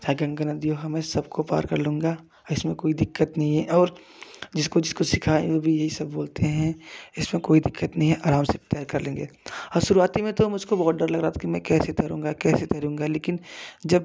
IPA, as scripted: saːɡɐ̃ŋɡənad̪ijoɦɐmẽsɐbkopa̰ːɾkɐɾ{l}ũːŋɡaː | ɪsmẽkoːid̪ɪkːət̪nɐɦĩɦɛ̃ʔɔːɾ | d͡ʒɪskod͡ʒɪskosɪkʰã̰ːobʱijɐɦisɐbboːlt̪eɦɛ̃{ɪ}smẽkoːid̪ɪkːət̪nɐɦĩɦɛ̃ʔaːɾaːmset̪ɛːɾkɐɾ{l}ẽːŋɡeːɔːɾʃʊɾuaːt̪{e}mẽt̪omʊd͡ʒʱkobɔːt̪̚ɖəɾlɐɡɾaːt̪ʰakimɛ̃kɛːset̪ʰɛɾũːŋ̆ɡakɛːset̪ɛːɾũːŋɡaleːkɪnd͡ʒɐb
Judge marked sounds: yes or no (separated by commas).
yes, yes, yes, no